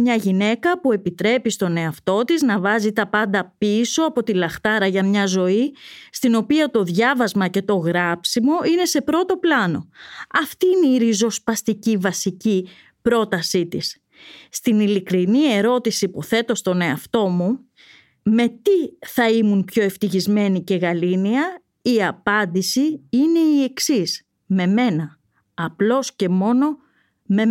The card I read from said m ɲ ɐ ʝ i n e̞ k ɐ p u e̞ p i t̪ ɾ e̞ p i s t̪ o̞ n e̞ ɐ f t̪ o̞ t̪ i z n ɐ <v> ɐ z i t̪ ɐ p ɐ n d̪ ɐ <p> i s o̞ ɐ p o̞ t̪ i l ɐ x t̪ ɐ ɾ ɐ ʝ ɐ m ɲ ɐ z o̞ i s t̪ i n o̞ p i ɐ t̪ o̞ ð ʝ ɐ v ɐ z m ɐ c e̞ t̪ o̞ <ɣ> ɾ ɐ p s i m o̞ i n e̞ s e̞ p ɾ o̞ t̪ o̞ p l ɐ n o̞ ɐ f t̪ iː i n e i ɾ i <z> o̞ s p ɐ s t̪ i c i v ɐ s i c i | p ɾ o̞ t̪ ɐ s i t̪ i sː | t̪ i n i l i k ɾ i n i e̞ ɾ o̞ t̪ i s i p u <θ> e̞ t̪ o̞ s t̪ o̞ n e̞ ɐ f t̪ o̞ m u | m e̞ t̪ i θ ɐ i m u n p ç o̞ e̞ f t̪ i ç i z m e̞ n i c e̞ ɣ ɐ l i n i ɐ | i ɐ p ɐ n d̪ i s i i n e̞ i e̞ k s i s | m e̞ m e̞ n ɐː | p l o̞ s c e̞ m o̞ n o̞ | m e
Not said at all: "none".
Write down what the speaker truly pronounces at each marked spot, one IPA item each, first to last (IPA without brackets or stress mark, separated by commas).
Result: v, p, ɣ, z, θ